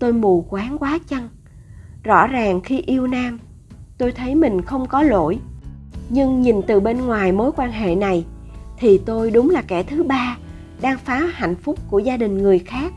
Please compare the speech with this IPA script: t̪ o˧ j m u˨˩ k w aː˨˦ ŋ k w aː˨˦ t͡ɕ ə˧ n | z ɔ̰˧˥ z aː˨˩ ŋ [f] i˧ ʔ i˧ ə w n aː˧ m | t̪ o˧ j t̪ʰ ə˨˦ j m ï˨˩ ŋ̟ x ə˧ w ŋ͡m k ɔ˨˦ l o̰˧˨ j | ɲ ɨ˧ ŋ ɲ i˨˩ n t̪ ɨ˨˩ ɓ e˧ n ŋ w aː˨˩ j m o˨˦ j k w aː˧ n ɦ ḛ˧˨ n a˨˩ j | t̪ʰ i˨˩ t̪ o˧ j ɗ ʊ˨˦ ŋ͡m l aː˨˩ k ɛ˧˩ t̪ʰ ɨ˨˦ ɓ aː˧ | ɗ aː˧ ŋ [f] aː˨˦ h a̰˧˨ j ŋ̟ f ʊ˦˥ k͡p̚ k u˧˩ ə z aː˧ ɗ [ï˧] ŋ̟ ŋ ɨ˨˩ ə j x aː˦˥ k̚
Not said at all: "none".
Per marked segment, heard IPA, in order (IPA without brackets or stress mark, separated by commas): x, f, ï˨˩